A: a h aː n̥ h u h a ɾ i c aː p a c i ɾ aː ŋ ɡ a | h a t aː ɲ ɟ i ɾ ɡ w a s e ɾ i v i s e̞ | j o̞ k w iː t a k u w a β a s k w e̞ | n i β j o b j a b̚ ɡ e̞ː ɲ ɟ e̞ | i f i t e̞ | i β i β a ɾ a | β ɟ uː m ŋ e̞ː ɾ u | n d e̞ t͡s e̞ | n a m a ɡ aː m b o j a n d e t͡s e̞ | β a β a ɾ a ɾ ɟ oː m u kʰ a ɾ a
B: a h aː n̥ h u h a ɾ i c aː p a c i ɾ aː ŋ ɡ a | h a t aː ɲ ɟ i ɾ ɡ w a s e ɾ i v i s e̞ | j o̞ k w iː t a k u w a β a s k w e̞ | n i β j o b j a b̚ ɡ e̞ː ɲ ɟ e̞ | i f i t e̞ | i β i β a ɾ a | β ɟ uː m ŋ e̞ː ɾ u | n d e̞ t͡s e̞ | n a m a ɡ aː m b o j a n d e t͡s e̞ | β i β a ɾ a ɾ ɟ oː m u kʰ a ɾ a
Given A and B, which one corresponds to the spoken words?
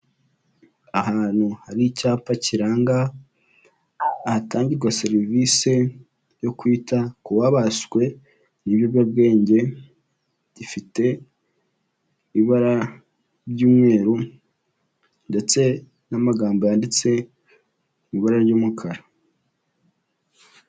B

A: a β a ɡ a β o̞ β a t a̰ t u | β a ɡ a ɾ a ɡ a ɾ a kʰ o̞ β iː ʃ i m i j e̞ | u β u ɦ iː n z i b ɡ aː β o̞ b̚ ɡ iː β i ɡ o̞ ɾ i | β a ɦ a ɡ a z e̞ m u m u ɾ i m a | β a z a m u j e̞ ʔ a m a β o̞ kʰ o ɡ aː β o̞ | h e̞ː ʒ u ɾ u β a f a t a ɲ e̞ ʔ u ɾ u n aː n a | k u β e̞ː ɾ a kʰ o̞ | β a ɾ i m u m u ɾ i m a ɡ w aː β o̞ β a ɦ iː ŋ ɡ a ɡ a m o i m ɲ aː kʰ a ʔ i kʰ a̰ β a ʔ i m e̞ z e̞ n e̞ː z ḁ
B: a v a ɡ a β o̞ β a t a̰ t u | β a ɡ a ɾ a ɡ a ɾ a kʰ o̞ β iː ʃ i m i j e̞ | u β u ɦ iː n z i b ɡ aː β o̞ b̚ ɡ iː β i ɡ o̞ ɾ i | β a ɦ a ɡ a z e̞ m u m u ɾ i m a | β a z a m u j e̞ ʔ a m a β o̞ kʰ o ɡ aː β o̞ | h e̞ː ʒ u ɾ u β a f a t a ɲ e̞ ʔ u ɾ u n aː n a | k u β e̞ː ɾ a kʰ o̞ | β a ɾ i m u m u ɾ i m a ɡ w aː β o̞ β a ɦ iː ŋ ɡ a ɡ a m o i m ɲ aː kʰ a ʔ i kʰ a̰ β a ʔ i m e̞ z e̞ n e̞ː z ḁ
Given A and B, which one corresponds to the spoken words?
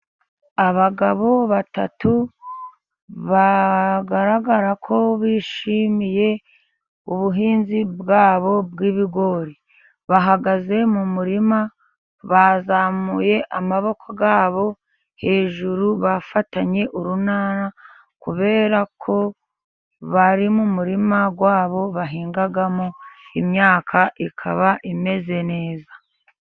A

